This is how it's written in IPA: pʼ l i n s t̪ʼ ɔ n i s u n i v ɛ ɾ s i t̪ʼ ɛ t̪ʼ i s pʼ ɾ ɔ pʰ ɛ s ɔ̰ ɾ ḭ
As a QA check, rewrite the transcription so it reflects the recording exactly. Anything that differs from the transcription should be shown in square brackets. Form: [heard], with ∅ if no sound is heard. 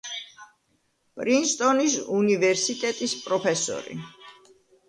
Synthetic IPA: pʼ [ɾ] i n s t̪ʼ ɔ n i s u n i v ɛ ɾ s i t̪ʼ ɛ t̪ʼ i s pʼ ɾ ɔ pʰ ɛ s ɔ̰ ɾ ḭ